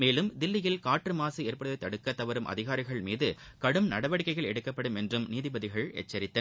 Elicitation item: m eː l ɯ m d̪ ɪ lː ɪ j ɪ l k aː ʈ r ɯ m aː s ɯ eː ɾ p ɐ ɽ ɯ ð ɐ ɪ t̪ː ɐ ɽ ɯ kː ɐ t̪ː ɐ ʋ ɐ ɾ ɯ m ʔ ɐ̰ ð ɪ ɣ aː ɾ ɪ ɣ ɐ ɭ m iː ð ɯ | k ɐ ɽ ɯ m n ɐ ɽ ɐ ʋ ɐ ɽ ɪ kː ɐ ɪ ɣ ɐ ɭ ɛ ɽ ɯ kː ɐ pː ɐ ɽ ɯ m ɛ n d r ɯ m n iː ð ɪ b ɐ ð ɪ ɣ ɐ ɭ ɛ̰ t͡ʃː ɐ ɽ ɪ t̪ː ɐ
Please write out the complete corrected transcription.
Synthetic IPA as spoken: m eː l ɯ m d̪ ɪ lː ɪ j ɪ l k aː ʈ r ɯ m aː s ɯ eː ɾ p ɐ ɽ ɯ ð ɐ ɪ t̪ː ɐ ɽ ɯ kː ɐ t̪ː ɐ ʋ ɐ ɾ ɯ m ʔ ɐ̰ ð ɪ ɣ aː ɾ ɪ ɣ ɐ ɭ m iː ð ɯ | k ɐ ɽ ɯ m n ɐ ɽ ɐ ʋ ɐ ɽ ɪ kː ɐ ɪ ɣ ɐ ɭ ɛ ɽ ɯ kː ɐ pː ɐ ɽ ɯ m ɛ n d r ɯ m n iː ð ɪ b ɐ ð ɪ ɣ ɐ ɭ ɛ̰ t͡ʃː ɐ ɾ ɪ t̪ː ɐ